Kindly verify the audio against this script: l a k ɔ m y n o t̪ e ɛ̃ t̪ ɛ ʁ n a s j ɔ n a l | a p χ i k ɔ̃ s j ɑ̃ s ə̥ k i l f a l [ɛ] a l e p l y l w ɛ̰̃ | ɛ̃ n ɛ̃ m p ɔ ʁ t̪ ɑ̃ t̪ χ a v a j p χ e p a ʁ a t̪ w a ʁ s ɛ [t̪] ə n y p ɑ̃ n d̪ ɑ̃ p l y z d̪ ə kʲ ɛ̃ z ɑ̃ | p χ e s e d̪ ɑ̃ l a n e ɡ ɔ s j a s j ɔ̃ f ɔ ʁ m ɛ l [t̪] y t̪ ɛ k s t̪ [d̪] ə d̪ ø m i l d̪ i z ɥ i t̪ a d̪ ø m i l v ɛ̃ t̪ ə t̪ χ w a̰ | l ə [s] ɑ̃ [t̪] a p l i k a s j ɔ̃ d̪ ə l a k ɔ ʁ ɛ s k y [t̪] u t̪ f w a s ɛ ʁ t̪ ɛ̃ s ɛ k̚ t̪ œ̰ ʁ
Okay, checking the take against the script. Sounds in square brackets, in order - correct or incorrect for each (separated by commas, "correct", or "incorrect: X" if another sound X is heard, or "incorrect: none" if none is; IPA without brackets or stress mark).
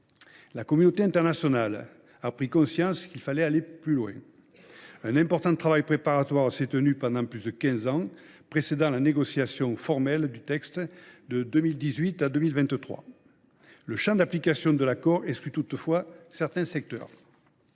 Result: correct, correct, incorrect: d̪, correct, incorrect: ʃ, incorrect: d̪, correct